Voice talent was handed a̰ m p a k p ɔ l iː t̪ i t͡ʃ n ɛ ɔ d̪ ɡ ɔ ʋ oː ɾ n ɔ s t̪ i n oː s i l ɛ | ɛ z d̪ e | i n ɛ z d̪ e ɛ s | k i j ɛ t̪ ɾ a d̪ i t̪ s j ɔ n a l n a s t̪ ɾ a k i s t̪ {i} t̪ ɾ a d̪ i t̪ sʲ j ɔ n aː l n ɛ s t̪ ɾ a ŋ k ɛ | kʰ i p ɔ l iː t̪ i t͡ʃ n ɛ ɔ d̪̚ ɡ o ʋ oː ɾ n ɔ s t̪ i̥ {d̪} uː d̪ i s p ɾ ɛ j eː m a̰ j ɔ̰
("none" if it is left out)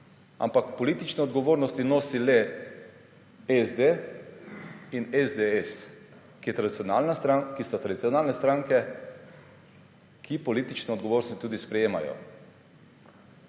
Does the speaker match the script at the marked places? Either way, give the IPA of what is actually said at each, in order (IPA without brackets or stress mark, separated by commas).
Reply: a, t̪